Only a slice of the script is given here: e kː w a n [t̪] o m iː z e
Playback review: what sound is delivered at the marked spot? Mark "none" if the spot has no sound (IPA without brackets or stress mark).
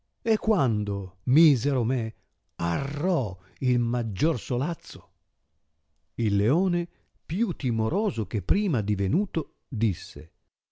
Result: d̪